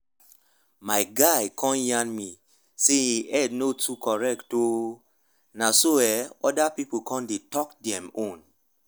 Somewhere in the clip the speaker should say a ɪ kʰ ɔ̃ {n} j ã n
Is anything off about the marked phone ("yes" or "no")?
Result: no